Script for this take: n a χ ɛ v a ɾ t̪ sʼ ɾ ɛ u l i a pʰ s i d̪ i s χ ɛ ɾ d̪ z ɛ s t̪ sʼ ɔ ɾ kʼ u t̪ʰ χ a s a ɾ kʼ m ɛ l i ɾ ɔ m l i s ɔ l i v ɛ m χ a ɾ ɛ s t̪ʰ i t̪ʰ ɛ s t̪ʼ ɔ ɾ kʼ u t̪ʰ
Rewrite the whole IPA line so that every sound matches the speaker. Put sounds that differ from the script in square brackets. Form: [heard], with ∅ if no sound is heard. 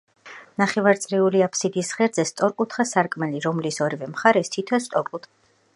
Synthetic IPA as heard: n a χ ɛ v a ɾ t̪ sʼ ɾ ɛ u l i a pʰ s i d̪ i s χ ɛ ɾ d̪ z ɛ s t̪ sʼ ɔ ɾ kʼ u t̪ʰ χ a s a ɾ kʼ m ɛ l i ɾ ɔ m l i s ɔ [ɾ] i v ɛ m χ a ɾ ɛ s t̪ʰ i t̪ʰ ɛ s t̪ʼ ɔ ɾ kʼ u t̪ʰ